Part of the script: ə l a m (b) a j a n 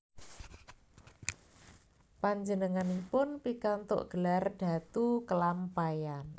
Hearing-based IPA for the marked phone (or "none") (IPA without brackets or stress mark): p